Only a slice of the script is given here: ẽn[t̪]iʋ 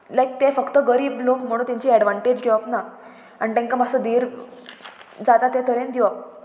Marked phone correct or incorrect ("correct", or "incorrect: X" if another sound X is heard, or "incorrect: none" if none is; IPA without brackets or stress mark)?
incorrect: d̪